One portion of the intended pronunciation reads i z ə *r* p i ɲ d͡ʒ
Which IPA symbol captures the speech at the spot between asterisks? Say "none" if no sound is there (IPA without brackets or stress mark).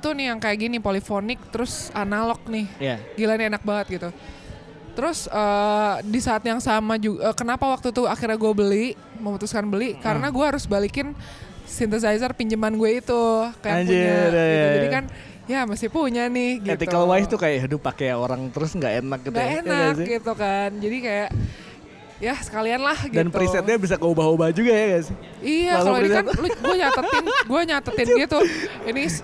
r